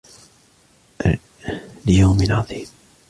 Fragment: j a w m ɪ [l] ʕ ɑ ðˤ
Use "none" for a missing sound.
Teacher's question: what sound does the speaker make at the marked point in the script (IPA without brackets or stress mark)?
l